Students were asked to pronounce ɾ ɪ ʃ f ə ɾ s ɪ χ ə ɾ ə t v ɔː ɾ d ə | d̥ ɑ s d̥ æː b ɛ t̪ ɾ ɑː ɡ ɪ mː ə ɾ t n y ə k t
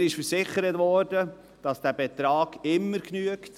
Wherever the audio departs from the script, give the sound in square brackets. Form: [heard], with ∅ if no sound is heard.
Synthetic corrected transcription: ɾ ɪ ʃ f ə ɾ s ɪ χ ə ɾ ə t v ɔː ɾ d ə | d̥ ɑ s d̥ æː b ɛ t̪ ɾ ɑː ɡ ɪ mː ə ɾ [k] n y ə k t